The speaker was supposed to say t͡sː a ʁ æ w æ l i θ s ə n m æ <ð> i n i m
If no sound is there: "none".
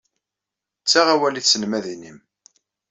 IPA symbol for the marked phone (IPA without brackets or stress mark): ð